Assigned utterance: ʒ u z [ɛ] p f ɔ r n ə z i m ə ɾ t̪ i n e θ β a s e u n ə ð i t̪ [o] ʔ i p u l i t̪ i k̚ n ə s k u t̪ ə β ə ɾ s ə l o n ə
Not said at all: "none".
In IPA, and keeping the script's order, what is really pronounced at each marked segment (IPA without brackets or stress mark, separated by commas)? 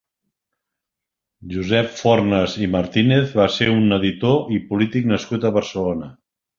ɛ, o